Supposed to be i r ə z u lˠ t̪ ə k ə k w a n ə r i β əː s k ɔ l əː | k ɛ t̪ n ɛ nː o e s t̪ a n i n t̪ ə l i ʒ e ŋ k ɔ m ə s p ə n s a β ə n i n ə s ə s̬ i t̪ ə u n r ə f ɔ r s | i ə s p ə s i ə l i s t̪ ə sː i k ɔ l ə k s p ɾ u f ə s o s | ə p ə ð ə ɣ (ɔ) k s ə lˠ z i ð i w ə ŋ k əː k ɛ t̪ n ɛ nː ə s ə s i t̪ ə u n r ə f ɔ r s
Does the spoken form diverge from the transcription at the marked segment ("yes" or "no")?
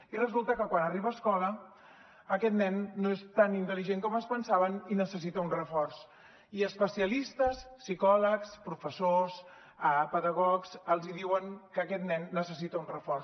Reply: no